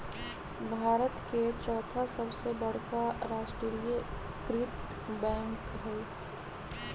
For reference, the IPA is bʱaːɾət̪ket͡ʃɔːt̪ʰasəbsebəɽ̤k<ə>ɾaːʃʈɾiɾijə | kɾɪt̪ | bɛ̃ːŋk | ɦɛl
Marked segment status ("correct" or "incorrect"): incorrect